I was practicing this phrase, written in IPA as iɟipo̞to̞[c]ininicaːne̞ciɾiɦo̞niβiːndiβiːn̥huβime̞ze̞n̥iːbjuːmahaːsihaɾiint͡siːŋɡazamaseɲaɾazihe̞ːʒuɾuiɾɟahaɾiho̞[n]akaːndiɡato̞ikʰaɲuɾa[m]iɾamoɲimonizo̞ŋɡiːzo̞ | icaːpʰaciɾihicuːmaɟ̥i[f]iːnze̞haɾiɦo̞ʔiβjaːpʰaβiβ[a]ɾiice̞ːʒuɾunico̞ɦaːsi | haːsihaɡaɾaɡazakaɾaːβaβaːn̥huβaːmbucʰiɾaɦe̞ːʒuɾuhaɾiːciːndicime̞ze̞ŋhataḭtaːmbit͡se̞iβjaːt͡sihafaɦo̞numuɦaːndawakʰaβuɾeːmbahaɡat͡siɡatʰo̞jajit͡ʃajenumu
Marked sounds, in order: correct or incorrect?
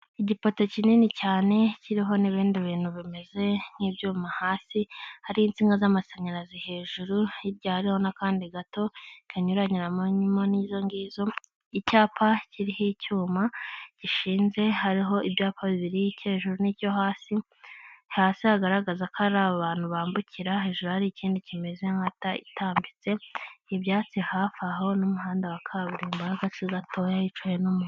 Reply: correct, correct, incorrect: ɲ, incorrect: ʃ, incorrect: i

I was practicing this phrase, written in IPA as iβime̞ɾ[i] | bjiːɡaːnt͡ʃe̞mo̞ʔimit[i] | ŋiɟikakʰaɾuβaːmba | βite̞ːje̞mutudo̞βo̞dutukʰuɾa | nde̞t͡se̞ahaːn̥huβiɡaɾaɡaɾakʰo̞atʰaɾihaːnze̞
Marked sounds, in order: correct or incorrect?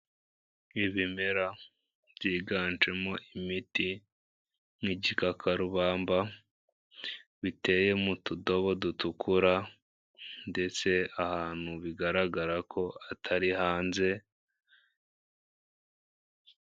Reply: incorrect: a, correct

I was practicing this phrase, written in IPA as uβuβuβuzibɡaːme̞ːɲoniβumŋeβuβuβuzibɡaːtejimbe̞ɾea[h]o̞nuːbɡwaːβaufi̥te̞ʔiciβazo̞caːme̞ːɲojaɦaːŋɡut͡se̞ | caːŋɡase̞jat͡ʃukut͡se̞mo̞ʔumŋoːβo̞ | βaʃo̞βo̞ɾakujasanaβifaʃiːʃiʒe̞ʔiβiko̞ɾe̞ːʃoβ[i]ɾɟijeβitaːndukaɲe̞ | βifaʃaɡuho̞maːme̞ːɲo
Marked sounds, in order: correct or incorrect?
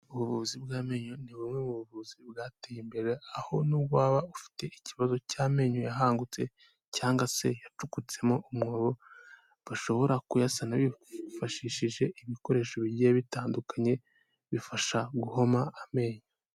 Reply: correct, correct

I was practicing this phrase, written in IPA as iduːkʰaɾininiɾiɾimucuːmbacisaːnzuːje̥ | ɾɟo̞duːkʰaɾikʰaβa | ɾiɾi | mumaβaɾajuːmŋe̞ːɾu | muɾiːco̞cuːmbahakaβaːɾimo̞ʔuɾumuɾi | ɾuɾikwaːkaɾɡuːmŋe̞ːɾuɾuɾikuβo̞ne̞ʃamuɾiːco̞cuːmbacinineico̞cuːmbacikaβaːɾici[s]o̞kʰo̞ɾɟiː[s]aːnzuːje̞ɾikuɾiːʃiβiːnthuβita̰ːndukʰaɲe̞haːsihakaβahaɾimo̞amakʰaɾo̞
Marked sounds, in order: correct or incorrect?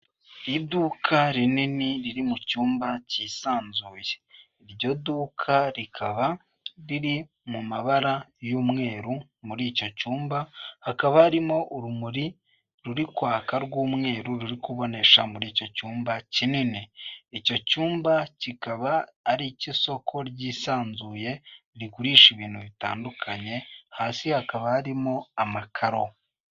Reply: correct, correct

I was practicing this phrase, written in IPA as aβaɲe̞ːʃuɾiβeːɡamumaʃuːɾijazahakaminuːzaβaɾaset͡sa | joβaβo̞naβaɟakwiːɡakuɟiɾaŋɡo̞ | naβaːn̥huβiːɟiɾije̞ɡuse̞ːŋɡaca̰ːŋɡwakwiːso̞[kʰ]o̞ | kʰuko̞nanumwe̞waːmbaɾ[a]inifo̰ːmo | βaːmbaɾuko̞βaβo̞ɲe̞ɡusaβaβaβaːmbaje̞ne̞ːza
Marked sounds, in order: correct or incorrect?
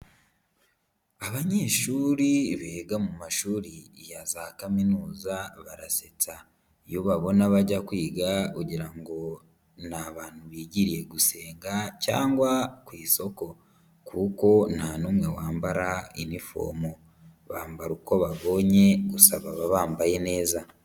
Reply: incorrect: k, correct

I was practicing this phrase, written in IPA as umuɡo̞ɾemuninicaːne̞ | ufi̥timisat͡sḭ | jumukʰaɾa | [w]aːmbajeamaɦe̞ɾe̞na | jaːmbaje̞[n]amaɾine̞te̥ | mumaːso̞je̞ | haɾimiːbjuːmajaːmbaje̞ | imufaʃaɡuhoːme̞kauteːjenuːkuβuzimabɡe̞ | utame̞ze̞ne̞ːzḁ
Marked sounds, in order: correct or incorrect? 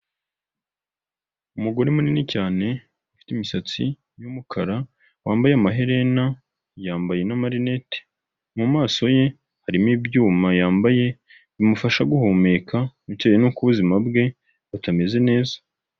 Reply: correct, correct

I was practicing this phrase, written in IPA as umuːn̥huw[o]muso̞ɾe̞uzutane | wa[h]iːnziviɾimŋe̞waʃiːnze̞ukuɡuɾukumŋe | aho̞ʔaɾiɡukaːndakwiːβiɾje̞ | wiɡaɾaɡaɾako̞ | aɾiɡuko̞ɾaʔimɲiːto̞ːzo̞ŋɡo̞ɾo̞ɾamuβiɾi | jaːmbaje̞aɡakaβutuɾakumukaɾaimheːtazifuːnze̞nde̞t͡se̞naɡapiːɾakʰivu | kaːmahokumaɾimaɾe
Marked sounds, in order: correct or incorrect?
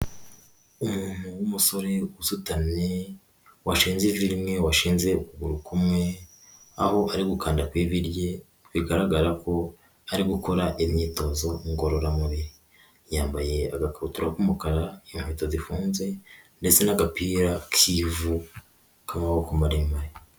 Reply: incorrect: u, incorrect: ʃ

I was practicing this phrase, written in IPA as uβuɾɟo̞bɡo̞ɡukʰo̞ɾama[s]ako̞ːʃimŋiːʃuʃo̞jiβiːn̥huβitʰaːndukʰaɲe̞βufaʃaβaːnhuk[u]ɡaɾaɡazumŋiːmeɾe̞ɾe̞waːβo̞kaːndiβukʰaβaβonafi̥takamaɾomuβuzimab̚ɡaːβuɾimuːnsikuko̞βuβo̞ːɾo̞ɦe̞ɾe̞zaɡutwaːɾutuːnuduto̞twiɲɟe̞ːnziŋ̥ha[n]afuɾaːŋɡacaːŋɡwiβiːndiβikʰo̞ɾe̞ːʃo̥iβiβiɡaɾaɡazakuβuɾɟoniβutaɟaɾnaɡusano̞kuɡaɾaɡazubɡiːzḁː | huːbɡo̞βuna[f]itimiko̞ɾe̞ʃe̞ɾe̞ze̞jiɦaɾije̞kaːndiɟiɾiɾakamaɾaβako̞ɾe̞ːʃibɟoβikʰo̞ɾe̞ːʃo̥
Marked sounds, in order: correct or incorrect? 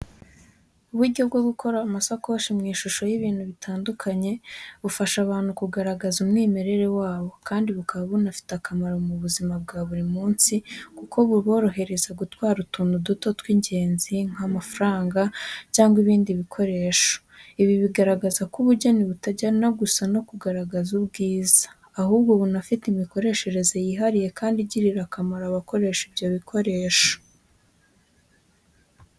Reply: correct, correct, incorrect: m, correct

